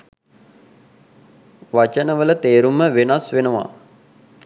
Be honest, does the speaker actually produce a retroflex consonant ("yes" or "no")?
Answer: no